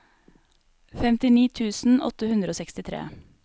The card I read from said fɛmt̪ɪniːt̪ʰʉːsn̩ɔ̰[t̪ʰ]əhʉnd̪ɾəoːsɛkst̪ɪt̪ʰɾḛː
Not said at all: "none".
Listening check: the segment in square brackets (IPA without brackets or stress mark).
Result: t̪